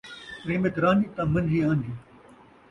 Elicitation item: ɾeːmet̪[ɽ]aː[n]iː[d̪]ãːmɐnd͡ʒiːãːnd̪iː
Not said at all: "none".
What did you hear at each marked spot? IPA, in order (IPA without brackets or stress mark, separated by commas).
ɾ, n, t̪